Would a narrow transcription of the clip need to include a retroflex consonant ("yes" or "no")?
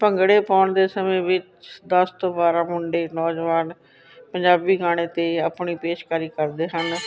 yes